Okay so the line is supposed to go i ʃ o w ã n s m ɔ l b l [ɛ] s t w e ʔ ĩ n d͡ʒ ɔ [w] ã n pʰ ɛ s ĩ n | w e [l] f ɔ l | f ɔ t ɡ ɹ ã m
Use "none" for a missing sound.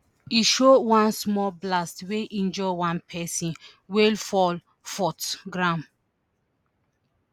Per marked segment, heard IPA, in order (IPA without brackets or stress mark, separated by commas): a, w, l